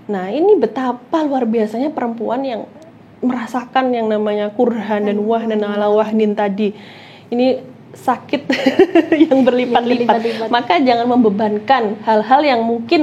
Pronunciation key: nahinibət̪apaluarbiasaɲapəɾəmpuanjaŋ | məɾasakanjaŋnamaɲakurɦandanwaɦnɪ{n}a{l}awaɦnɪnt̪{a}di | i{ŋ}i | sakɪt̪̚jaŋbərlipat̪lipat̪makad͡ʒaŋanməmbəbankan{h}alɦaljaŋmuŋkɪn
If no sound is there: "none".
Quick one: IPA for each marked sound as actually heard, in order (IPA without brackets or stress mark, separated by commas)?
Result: n, l, a, n, h